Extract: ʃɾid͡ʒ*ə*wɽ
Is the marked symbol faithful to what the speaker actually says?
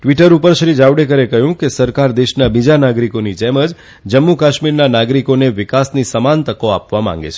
no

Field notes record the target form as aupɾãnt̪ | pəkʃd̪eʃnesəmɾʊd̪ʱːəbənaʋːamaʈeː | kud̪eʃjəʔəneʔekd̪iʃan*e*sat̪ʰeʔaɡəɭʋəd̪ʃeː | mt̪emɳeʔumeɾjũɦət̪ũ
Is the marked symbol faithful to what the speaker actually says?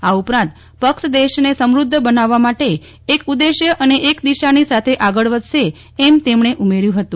no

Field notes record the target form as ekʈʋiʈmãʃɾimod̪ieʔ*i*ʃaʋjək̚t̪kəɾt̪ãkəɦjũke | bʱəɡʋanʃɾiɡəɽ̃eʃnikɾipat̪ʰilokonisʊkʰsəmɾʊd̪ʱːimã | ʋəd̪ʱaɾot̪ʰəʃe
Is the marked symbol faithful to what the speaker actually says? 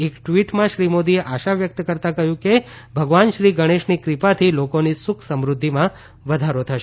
no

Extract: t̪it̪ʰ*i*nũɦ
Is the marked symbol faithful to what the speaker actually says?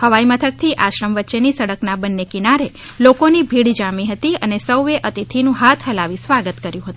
yes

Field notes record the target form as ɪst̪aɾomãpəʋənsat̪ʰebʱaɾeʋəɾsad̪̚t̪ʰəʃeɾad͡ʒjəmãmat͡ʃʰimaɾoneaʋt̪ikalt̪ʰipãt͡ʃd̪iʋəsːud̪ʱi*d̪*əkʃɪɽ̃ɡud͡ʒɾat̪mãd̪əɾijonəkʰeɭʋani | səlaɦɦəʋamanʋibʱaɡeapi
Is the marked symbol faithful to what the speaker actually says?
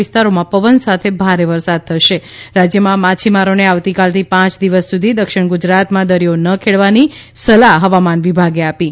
yes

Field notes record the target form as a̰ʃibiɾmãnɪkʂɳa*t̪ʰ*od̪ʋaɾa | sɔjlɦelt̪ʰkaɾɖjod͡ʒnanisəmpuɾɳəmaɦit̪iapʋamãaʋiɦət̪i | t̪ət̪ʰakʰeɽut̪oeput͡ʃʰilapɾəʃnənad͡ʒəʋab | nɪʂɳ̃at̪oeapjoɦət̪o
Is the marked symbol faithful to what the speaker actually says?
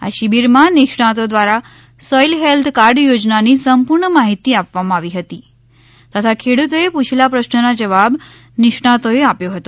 no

